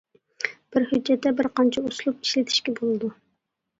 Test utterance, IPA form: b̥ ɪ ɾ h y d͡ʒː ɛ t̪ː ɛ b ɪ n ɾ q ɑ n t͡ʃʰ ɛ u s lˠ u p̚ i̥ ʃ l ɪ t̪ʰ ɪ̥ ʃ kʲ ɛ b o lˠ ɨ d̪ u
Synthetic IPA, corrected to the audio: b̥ ɪ ɾ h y d͡ʒː ɛ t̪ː ɛ b ɪ ɾ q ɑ n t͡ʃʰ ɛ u s lˠ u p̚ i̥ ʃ l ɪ t̪ʰ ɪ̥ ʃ kʲ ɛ b o lˠ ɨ d̪ u